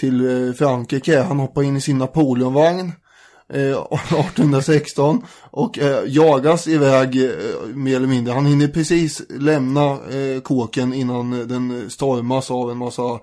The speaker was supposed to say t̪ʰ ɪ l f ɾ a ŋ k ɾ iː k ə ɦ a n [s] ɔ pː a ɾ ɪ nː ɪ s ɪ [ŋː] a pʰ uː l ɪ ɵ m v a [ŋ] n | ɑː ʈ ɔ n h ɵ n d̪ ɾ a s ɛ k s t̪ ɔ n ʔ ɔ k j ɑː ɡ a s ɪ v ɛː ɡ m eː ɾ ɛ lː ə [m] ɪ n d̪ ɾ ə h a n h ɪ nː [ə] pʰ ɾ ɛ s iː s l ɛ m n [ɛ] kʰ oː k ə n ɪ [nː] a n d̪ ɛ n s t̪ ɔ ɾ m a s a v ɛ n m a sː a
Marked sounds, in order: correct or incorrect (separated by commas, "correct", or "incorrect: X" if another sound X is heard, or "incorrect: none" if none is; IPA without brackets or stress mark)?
incorrect: h, incorrect: nː, correct, correct, correct, incorrect: a, correct